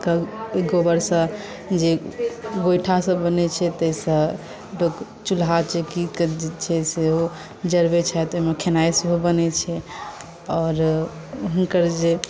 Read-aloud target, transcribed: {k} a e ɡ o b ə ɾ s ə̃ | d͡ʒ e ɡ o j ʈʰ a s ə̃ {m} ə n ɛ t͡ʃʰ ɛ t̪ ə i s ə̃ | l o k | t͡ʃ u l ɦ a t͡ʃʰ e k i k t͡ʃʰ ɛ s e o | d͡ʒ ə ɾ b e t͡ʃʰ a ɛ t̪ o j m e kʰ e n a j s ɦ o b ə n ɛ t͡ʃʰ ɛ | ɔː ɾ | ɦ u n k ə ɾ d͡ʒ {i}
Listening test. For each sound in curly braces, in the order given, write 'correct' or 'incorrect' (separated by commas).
correct, incorrect, incorrect